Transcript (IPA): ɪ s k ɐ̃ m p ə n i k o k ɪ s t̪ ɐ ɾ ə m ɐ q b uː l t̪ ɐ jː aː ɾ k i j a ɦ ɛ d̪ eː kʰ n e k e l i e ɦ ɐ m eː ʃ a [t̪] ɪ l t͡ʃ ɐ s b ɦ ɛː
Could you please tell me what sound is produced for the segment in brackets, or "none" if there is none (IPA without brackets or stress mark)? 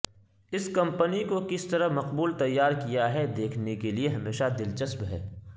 d̪